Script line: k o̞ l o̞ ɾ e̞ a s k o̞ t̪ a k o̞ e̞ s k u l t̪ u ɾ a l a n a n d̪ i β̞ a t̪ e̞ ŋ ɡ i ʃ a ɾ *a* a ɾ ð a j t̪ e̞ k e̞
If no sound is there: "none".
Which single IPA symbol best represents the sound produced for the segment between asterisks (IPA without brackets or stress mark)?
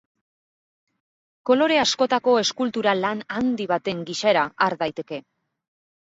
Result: a